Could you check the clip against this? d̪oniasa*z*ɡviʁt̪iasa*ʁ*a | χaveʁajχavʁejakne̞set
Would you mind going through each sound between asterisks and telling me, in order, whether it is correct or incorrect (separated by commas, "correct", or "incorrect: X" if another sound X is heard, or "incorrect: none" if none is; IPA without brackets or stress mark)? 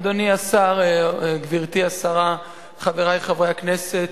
incorrect: ʁ, correct